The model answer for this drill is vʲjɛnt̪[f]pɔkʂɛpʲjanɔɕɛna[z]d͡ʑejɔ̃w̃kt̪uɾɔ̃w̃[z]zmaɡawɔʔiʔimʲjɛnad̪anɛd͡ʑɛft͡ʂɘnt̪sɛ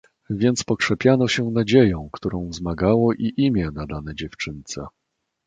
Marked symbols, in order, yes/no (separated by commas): no, no, no